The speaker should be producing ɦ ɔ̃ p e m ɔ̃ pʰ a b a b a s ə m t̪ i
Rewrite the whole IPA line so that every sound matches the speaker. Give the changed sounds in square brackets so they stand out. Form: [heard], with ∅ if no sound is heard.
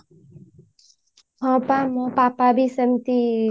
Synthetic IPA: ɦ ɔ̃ p [a] m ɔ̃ [p] a [p] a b [i] s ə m t̪ i